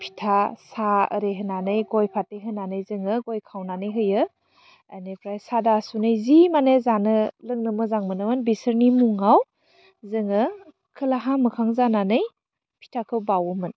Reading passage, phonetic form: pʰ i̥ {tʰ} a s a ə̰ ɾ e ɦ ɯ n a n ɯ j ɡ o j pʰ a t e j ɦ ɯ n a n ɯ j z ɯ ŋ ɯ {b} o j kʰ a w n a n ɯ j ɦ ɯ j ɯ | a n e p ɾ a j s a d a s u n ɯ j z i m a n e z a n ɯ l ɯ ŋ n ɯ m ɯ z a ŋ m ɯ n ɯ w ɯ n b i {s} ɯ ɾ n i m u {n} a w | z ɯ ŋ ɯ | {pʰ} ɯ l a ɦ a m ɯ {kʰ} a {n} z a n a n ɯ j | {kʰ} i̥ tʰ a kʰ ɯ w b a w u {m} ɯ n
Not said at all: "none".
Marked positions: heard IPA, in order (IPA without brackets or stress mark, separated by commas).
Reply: tʰ, ɡ, s, ŋ, kʰ, kʰ, ŋ, pʰ, m